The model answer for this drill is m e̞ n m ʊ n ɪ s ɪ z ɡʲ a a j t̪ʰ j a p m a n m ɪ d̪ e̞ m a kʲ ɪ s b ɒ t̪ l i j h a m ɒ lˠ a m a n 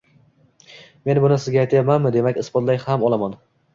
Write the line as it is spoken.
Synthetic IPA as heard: m e̞ n b ʊ n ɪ s ɪ z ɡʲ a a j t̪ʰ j a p m a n m ɪ d̪ e̞ m a kʲ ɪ s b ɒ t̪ l a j h a m ɒ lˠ a m a n